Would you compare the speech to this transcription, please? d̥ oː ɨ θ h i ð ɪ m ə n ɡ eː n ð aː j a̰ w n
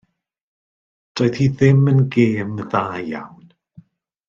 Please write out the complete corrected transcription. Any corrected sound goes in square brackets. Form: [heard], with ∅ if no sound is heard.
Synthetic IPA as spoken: d̥ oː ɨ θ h i ð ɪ m ə n ɡ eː [m] ð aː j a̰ w n

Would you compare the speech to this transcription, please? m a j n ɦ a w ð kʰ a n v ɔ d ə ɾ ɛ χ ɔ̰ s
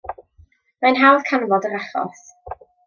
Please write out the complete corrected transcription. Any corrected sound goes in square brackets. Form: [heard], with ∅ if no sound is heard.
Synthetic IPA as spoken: m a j n ɦ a w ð kʰ a n v ɔ d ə ɾ [a] χ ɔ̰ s

